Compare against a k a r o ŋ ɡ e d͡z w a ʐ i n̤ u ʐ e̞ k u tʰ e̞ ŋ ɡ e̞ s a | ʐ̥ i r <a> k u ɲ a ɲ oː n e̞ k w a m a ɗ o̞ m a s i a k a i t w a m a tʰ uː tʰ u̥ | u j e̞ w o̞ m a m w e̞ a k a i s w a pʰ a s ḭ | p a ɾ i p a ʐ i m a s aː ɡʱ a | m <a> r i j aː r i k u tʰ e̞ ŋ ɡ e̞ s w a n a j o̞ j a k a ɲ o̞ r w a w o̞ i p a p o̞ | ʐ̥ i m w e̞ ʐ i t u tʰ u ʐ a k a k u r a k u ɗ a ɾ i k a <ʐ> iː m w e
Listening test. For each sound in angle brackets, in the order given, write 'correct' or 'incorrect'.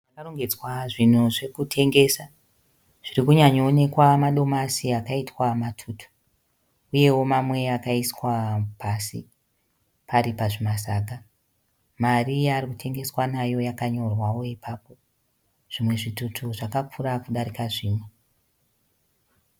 incorrect, correct, correct

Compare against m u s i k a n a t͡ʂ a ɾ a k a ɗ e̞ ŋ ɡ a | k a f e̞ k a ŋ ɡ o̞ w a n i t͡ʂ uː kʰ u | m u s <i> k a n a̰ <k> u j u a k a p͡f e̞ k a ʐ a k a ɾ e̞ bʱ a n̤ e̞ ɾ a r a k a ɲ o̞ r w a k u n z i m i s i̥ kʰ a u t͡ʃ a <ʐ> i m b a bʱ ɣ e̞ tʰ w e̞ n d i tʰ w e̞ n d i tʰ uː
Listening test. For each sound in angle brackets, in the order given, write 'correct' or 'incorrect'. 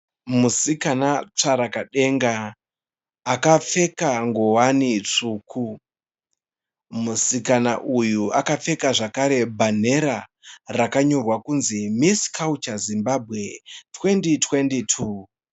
correct, incorrect, incorrect

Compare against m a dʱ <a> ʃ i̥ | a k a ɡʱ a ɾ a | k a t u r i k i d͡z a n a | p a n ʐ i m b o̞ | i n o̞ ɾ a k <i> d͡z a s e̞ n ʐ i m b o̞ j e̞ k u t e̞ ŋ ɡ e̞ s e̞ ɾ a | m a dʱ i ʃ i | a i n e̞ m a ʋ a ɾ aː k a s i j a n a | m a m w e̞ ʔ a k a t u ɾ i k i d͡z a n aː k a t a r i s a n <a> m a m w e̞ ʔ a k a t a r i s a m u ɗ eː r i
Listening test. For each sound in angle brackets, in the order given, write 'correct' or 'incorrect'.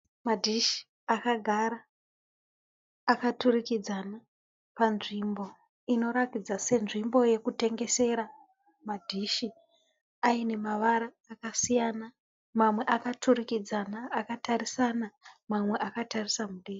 incorrect, correct, correct

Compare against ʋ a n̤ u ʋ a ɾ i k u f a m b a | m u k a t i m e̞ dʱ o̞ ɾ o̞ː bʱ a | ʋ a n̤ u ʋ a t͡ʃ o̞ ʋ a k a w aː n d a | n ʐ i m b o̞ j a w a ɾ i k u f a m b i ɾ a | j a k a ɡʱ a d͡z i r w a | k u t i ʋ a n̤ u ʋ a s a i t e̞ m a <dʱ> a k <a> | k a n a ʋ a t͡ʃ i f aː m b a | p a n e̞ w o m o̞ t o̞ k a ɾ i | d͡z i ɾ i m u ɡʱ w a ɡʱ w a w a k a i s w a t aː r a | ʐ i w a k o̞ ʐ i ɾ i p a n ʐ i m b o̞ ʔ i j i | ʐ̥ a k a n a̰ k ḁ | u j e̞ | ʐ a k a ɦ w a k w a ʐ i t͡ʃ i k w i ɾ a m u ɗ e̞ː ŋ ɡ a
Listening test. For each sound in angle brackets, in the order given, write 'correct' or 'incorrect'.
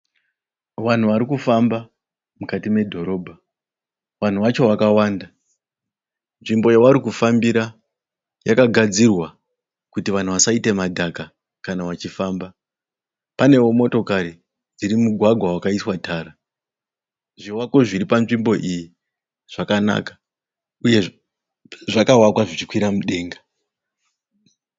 correct, correct

